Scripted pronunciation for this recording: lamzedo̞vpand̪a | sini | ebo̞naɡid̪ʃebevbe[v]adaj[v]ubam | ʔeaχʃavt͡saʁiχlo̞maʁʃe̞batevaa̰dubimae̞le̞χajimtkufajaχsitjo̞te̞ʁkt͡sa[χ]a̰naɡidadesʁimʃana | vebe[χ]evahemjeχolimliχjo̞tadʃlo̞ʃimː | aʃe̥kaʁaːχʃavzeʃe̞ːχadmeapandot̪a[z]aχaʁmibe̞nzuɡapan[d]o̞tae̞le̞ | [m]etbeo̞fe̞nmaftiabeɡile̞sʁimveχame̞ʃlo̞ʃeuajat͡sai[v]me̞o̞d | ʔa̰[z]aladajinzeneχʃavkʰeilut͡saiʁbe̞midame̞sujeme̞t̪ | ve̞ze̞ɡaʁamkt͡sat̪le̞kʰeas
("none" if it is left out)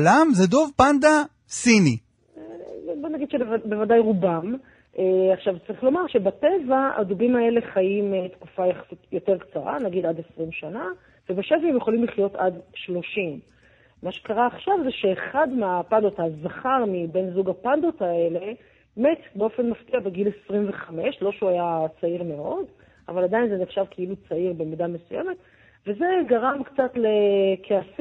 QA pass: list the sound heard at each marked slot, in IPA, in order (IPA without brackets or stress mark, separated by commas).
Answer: v, ʁ, ʁ, ʃ, z, d, m, ʁ, v